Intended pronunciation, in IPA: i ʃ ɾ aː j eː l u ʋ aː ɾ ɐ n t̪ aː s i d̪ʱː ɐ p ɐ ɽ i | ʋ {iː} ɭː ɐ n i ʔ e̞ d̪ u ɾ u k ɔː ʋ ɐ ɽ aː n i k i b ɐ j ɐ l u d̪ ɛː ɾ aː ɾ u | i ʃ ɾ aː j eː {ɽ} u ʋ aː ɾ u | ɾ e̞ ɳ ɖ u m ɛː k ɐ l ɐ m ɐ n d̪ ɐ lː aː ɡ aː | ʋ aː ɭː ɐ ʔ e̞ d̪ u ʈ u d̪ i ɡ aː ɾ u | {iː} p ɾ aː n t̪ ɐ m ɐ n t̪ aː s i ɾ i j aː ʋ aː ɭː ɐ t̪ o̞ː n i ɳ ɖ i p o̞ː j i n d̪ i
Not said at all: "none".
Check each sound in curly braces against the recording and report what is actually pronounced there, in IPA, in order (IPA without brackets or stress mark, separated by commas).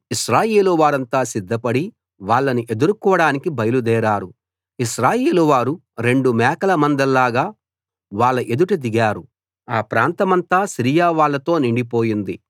aː, l, aː